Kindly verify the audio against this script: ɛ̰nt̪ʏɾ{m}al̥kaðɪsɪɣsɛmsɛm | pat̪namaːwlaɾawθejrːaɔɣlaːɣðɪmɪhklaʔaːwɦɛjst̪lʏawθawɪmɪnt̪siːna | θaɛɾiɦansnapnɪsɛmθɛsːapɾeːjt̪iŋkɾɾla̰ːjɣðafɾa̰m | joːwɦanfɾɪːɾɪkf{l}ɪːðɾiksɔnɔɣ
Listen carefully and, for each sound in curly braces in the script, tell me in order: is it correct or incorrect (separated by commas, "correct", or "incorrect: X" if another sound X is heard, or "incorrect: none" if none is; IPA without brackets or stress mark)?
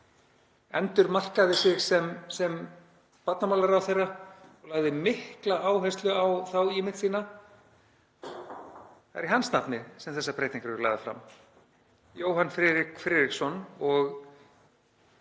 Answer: correct, incorrect: ɾ